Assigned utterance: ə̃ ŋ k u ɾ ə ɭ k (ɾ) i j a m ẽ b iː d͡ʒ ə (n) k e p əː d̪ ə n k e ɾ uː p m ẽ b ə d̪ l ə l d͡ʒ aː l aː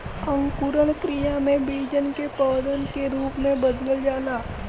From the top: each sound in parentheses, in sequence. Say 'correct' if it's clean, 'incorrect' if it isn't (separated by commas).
correct, correct